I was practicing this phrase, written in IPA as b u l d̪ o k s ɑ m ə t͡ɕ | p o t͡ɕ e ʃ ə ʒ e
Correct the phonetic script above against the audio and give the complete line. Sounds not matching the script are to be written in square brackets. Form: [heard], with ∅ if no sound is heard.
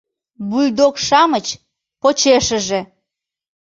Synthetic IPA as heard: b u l d̪ o k [ʃ] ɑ m ə t͡ɕ | p o t͡ɕ e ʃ ə ʒ e